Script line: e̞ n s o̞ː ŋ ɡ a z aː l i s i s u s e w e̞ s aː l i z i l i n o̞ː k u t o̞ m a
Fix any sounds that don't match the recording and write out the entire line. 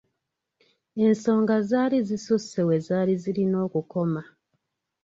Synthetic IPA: e̞ n s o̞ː ŋ ɡ a z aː l i z i s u s e w e̞ z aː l i z i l i n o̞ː k u k o̞ m a